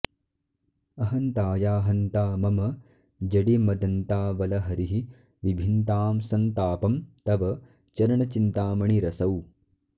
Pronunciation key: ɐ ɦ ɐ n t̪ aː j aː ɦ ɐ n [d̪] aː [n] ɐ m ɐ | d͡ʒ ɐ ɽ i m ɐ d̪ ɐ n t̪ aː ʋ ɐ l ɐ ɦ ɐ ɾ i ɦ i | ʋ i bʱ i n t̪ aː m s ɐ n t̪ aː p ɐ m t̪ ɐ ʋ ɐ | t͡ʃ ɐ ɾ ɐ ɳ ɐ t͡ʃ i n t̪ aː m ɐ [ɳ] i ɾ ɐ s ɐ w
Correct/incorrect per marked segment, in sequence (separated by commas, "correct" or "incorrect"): incorrect, incorrect, correct